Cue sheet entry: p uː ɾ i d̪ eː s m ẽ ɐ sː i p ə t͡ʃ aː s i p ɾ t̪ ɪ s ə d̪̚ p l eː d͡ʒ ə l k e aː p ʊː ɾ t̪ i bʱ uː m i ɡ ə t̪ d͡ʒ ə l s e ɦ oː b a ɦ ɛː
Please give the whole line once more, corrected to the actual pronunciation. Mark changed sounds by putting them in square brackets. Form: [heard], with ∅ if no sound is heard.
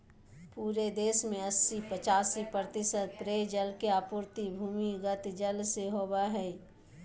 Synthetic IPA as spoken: p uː ɾ [e] d̪ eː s m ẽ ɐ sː i p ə t͡ʃ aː s i p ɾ t̪ ɪ s ə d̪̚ p [ɾ] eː d͡ʒ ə l k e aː p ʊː ɾ t̪ i bʱ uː m i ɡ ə t̪ d͡ʒ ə l s e ɦ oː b a ɦ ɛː